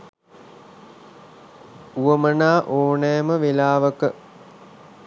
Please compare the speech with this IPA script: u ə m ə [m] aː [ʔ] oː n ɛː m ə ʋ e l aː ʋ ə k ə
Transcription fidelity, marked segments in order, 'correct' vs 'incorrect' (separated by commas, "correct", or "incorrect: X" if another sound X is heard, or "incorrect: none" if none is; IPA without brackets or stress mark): incorrect: n, correct